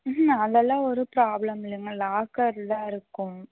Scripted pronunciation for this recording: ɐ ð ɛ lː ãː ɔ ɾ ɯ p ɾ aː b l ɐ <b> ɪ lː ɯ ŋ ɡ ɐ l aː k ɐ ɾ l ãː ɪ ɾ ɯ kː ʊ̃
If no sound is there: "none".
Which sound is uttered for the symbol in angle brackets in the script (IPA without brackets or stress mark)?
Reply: m